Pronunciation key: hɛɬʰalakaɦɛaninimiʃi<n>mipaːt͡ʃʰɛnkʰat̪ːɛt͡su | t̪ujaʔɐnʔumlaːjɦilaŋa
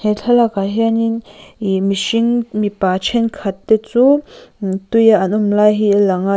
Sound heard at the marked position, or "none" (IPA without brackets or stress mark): ŋ